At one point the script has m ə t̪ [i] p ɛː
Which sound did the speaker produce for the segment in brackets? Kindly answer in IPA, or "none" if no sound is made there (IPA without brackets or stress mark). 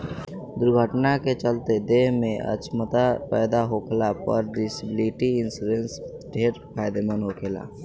a